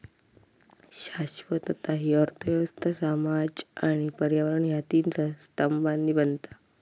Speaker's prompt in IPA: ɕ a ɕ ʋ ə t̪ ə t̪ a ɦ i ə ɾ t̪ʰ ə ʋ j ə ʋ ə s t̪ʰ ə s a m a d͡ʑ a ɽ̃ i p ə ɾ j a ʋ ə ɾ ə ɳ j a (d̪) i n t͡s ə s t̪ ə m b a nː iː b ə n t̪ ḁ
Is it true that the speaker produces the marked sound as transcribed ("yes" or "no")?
no